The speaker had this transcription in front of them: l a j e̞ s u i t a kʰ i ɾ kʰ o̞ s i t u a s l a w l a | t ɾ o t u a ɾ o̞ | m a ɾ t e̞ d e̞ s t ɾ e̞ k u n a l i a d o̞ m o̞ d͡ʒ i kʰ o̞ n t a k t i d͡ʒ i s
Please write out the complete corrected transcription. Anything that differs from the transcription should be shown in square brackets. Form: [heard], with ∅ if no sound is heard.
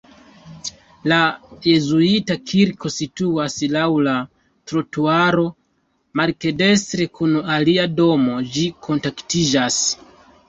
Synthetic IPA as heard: l a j e̞ [z] u i t a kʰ i ɾ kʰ o̞ s i t u a s l a w l a | t ɾ o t u a ɾ o̞ | m a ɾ [k] e̞ d e̞ s t ɾ e̞ k u n a l i a d o̞ m o̞ d͡ʒ i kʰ o̞ n t a k t i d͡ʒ [a] s

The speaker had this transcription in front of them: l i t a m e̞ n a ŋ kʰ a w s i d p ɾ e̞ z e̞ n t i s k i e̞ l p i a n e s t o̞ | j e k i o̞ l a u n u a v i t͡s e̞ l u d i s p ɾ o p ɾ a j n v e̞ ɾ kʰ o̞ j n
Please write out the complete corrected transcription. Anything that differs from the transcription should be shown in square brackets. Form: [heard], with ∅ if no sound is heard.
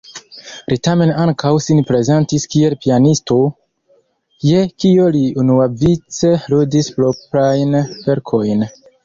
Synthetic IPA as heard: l i t a m e̞ n a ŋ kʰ a w s i [n] p ɾ e̞ z e̞ n t i s k i e̞ l p i a n [i] s t o̞ | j e k i o̞ l [i] u n u a v i t͡s e̞ l u d i s p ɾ o p ɾ a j n v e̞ ɾ kʰ o̞ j n

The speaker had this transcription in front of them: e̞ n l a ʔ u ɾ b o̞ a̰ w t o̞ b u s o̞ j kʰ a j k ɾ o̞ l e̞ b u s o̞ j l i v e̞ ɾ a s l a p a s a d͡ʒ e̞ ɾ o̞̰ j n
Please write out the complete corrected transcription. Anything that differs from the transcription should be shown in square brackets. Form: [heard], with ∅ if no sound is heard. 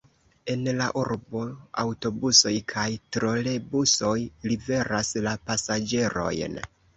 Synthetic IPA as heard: e̞ n l a ʔ u ɾ b o̞ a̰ w t o̞ b u s o̞ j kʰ a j [t] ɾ o̞ l e̞ b u s o̞ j l i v e̞ ɾ a s l a p a s a d͡ʒ e̞ ɾ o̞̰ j n

